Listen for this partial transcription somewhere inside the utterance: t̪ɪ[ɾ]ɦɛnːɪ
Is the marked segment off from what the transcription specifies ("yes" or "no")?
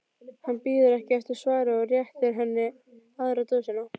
no